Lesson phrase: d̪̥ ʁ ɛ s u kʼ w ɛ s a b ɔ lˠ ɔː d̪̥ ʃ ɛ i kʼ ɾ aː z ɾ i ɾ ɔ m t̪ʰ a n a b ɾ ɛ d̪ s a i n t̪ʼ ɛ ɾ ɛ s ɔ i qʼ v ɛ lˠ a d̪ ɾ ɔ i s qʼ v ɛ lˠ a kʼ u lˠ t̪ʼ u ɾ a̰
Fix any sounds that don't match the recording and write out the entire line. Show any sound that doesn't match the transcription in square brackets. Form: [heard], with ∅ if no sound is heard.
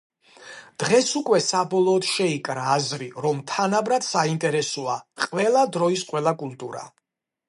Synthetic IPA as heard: d̪̥ ʁ ɛ s u kʼ w ɛ s a b ɔ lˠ ɔː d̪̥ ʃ ɛ i kʼ ɾ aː z ɾ i ɾ ɔ m t̪ʰ a n a b ɾ [a] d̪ s a i n t̪ʼ ɛ ɾ ɛ s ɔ [a] qʼ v ɛ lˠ a d̪ ɾ ɔ i s qʼ [w] ɛ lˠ a kʼ u lˠ t̪ʼ u ɾ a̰

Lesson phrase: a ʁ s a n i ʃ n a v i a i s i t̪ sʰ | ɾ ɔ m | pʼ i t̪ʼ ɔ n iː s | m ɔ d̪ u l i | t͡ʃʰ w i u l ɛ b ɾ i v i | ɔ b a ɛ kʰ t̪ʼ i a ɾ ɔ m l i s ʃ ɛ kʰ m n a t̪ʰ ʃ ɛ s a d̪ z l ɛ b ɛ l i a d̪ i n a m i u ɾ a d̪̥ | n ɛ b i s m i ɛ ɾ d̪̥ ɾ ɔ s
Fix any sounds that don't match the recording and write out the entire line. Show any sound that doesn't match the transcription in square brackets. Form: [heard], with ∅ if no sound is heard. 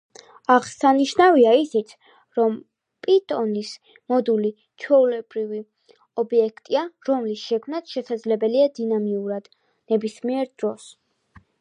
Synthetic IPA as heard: a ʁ s a n i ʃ n a v i a i s i t̪ sʰ | ɾ ɔ m | pʼ i t̪ʼ ɔ n [i] s | m ɔ d̪ u l i | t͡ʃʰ w [ɛ] u l ɛ b ɾ i v i | ɔ b [i] ɛ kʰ t̪ʼ i a ɾ ɔ m l i s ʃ ɛ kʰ m n a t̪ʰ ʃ ɛ s a d̪ z l ɛ b ɛ l i a d̪ i n a m i u ɾ a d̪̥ | n ɛ b i s m i ɛ ɾ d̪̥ ɾ ɔ s

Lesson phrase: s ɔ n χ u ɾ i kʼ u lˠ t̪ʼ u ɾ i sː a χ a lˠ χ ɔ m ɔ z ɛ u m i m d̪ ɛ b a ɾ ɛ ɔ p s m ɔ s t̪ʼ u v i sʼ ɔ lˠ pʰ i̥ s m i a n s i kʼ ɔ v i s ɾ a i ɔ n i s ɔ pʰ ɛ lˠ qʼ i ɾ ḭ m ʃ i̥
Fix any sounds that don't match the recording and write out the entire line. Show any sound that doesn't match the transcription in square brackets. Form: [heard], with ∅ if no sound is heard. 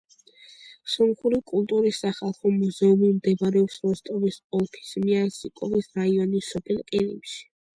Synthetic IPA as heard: s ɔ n χ u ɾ i kʼ u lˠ t̪ʼ u ɾ i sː a χ a lˠ χ ɔ m [u] z ɛ u m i m d̪ ɛ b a ɾ ɛ ɔ p s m ɔ s t̪ʼ [ɔ] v i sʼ ɔ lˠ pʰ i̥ s m i a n s i kʼ ɔ v i s ɾ a i ɔ n i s ɔ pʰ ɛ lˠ qʼ i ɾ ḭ m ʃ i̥

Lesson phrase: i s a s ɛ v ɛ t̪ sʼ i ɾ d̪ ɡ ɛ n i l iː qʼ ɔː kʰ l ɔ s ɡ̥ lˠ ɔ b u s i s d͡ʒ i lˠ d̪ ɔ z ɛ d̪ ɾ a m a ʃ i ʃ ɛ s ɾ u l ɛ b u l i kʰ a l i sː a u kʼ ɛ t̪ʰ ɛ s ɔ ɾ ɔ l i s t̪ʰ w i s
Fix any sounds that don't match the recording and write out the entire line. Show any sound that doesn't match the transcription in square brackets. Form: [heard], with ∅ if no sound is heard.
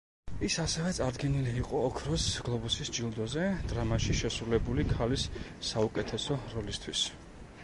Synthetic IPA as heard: i s a s ɛ v ɛ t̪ sʼ [a] ɾ d̪ ɡ ɛ n i l iː qʼ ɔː kʰ [ɾ] ɔ s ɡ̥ lˠ ɔ b u s i s d͡ʒ i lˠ d̪ ɔ z ɛ d̪ ɾ a m a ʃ i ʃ ɛ s ɾ u l ɛ b u l i kʰ a l i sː a u kʼ ɛ t̪ʰ ɛ s ɔ ɾ ɔ l i s t̪ʰ w i s

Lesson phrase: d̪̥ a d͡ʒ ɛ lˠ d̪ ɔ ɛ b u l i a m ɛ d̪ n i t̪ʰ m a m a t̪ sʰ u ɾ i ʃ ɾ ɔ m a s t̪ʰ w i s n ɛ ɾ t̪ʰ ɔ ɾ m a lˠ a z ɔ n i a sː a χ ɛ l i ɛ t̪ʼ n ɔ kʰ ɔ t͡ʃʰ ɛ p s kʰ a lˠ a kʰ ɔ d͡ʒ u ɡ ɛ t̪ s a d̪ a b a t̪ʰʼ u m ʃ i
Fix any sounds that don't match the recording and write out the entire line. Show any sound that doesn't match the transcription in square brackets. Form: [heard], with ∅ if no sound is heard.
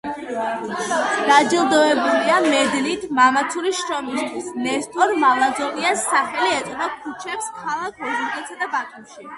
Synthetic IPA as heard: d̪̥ a d͡ʒ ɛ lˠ d̪ ɔ ɛ b u l i a m ɛ d̪ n i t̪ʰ m a m a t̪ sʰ u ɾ i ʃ ɾ ɔ m [i] s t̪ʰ w i s n ɛ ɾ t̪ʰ ɔ ɾ m a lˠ a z ɔ n i a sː a χ ɛ l i ɛ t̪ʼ n ɔ kʰ [u] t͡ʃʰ ɛ p s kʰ a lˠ a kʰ ɔ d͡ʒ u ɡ ɛ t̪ s a d̪ a b a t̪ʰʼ u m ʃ i

